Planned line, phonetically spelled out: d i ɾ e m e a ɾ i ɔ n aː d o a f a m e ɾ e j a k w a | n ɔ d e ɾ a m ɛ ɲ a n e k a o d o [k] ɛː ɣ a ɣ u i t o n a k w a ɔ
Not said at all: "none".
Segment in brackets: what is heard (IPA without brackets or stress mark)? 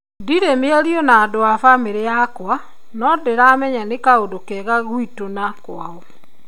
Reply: k